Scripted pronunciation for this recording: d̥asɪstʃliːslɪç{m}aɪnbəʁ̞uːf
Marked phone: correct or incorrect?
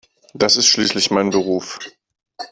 correct